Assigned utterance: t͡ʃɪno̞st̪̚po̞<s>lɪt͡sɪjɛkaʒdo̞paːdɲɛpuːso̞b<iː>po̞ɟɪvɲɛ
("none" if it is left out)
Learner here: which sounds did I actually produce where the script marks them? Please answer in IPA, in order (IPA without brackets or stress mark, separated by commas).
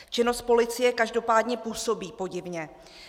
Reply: none, iː